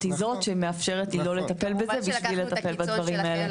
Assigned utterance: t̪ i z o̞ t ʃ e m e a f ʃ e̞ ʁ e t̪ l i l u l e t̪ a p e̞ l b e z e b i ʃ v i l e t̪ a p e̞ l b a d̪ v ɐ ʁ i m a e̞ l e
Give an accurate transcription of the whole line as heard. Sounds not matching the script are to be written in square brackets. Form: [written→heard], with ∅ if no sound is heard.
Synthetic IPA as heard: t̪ i z o̞ t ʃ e m e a f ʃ e̞ ʁ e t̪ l i l [u→o] l e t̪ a p e̞ l b e z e b i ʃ v i l e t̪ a p e̞ l b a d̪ v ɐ ʁ i m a e̞ l e